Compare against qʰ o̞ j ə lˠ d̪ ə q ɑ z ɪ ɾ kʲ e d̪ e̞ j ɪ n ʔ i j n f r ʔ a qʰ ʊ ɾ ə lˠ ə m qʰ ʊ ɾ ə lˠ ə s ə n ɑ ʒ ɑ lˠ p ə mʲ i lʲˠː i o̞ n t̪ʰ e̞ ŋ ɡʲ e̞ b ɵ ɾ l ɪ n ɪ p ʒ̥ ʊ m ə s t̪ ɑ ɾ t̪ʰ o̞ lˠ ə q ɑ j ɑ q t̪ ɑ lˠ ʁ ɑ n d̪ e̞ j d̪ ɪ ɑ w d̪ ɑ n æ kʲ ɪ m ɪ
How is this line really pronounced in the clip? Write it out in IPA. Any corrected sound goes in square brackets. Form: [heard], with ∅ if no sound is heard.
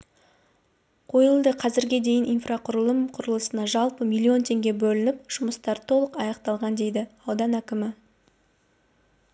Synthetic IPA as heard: qʰ o̞ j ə lˠ d̪ ə [qʰ] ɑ z ɪ ɾ [ɡʲ] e d̪ e̞ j ɪ n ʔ i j n f r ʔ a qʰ ʊ ɾ ə lˠ ə m qʰ ʊ ɾ ə lˠ ə s ə n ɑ ʒ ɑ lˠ p ə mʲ i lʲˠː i o̞ n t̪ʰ e̞ ŋ ɡʲ e̞ b ɵ [∅] l ɪ n ɪ p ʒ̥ ʊ m ə s t̪ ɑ ɾ t̪ʰ o̞ lˠ ə q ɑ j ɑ q t̪ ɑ lˠ ʁ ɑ n d̪ e̞ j d̪ ɪ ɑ w d̪ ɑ n æ kʲ ɪ m ɪ

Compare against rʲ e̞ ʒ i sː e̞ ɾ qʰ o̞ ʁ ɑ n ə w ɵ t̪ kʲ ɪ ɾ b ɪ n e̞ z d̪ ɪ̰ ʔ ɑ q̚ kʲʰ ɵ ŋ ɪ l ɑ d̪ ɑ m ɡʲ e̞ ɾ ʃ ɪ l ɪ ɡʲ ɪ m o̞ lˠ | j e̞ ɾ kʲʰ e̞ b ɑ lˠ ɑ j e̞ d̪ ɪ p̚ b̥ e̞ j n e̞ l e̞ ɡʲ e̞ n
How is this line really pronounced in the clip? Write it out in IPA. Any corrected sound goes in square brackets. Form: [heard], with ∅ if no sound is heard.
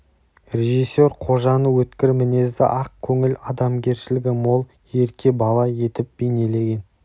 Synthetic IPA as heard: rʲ e̞ ʒ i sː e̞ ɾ qʰ o̞ [ʒ] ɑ n ə w ɵ t̪ kʲ ɪ ɾ [m] ɪ n e̞ z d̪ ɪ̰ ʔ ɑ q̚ kʲʰ ɵ ŋ ɪ l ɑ d̪ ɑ m ɡʲ e̞ ɾ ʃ ɪ l ɪ ɡʲ ɪ m o̞ lˠ | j e̞ ɾ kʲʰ e̞ b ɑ lˠ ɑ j e̞ [t̪] ɪ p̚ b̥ e̞ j n e̞ l e̞ ɡʲ e̞ n

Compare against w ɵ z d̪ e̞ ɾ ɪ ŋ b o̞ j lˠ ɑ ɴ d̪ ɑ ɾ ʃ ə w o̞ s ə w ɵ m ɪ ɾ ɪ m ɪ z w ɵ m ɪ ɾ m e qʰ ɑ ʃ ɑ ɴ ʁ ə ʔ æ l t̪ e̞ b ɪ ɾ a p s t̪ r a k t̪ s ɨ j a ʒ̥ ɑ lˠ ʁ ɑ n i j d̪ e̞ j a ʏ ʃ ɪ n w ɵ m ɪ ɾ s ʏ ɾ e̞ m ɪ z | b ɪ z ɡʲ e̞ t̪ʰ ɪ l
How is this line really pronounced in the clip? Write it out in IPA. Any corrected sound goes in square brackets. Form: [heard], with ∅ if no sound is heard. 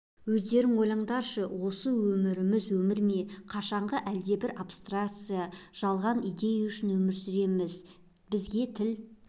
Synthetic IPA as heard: w ɵ z d̪ e̞ ɾ ɪ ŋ [w] o̞ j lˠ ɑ ɴ d̪ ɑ ɾ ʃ ə w o̞ s ə w ɵ m ɪ ɾ ɪ m ɪ z w ɵ m ɪ ɾ m e qʰ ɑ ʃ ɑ ɴ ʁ ə ʔ æ l [d̪] e̞ b ɪ ɾ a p s t̪ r a k t̪ s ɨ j a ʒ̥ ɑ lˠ ʁ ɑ n i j d̪ e̞ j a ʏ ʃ ɪ n w ɵ m ɪ ɾ s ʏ ɾ e̞ m ɪ z | b ɪ z ɡʲ e̞ t̪ʰ ɪ l

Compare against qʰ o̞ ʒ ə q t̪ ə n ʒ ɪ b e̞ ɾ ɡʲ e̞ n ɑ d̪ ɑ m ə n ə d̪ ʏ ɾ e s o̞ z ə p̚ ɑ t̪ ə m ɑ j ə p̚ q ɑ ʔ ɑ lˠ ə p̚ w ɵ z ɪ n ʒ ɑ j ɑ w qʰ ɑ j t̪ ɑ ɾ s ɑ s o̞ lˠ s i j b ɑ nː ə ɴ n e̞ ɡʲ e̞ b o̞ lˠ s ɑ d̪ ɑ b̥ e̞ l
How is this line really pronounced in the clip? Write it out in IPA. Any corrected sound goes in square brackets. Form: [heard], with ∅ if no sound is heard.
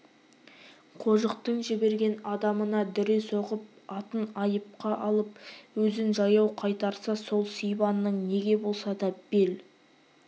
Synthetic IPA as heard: qʰ o̞ ʒ ə q t̪ ə [ɴ] ʒ ɪ b e̞ ɾ ɡʲ e̞ n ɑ d̪ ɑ m ə n [ɑ] d̪ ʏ ɾ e s o̞ [ʁ] ə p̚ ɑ t̪ ə [n] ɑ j ə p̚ q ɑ ʔ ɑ lˠ ə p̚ w ɵ z ɪ n ʒ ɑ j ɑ w qʰ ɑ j t̪ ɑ ɾ s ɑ s o̞ lˠ s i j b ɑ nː ə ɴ n e̞ ɡʲ e̞ b o̞ lˠ s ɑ d̪ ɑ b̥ e̞ l

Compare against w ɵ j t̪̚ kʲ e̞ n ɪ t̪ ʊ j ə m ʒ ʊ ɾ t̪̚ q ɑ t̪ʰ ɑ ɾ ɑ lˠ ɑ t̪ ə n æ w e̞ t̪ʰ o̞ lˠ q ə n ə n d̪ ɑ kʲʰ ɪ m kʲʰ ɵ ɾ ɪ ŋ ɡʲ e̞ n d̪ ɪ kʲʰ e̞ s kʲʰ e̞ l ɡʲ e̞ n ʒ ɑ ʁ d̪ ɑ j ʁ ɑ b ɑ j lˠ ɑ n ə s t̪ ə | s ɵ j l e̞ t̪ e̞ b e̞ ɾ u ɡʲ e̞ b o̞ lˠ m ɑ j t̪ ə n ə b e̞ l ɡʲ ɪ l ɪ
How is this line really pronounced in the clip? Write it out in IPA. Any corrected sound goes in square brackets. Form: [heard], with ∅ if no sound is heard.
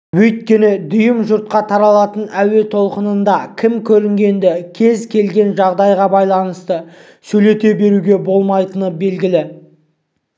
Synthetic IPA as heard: w ɵ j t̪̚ kʲ e̞ n ɪ [d̪] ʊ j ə m ʒ ʊ ɾ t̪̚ q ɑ t̪ʰ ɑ ɾ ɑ lˠ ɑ t̪ ə n æ w e̞ t̪ʰ o̞ lˠ q ə n ə n d̪ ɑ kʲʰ ɪ m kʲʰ ɵ ɾ ɪ ŋ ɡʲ e̞ n d̪ ɪ kʲʰ e̞ [z] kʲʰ e̞ l ɡʲ e̞ n ʒ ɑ ʁ d̪ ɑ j ʁ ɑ b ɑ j lˠ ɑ n ə s t̪ ə | s ɵ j l e̞ t̪ e̞ b e̞ ɾ u ɡʲ e̞ b o̞ lˠ m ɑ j t̪ ə n ə b e̞ l ɡʲ ɪ l ɪ

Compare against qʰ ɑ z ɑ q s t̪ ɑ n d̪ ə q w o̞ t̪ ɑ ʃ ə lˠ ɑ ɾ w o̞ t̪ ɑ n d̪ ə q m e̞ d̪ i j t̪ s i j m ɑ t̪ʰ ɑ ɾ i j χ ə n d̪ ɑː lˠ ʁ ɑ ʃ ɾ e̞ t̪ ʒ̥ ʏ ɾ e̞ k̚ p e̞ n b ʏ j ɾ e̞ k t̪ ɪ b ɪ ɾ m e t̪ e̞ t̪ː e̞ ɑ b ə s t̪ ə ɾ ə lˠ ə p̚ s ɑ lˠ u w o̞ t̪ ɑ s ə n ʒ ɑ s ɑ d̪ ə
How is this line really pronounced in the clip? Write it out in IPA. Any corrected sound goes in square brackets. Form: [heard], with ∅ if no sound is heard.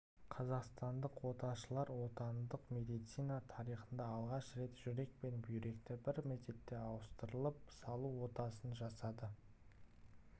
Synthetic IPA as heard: qʰ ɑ z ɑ q s t̪ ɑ n d̪ ə q w o̞ t̪ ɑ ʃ ə lˠ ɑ ɾ w o̞ t̪ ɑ n d̪ ə q m e̞ d̪ i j t̪ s i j [n] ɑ t̪ʰ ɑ ɾ i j χ ə n d̪ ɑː lˠ ʁ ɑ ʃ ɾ e̞ t̪ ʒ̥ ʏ ɾ e̞ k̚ p e̞ n b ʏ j ɾ e̞ k t̪ ɪ b ɪ ɾ m e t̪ e̞ t̪ː e̞ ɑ [w] ə s t̪ ə ɾ ə lˠ ə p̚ s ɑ lˠ u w o̞ t̪ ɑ s ə n ʒ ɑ s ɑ d̪ ə

